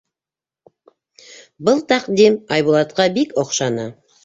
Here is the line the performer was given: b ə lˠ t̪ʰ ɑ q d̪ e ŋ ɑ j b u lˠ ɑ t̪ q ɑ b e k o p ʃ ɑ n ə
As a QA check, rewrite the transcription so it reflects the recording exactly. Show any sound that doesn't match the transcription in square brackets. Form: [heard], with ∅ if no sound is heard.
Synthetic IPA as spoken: b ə lˠ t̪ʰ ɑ q d̪ e [m] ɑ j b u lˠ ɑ t̪ q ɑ b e k o [q] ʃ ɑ n ə